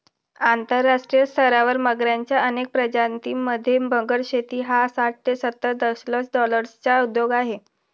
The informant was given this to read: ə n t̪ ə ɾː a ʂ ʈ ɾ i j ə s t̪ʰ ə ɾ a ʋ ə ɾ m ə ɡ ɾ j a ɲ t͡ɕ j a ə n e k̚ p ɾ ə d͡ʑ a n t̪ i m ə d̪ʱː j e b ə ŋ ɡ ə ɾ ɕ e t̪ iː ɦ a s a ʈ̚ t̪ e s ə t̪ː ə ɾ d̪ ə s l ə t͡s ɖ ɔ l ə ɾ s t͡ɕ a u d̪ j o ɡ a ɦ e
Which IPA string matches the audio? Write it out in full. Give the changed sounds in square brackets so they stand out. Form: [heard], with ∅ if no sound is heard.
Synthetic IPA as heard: [a] n t̪ ə ɾː a ʂ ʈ ɾ i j ə s t̪ʰ ə ɾ a ʋ ə ɾ m ə ɡ ɾ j a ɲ t͡ɕ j a ə n e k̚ p ɾ ə d͡ʑ a n t̪ i m ə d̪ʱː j e b ə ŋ ɡ ə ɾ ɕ e t̪ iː ɦ a s a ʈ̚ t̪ e s ə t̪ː ə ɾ d̪ ə s l ə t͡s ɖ ɔ l ə ɾ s t͡ɕ a u d̪ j o ɡ a ɦ e